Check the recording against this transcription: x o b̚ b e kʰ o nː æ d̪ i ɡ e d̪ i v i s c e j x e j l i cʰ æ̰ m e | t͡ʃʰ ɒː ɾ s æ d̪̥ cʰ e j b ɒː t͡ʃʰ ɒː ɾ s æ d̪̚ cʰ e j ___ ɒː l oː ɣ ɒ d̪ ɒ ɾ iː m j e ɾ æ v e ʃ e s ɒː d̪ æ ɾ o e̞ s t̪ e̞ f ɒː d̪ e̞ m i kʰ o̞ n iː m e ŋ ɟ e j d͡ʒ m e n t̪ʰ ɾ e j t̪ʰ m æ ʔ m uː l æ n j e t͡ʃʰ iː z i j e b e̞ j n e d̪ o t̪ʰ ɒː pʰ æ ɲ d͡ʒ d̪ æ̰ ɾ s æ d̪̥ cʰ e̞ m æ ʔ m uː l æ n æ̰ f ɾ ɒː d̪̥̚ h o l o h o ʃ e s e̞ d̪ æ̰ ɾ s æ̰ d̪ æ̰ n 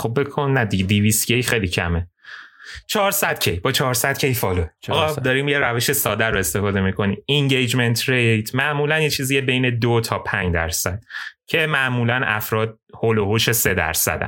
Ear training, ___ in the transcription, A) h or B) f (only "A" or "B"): B